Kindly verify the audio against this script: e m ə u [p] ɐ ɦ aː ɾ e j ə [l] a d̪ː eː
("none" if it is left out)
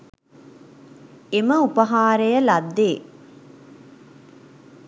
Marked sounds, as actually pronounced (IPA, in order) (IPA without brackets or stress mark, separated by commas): p, l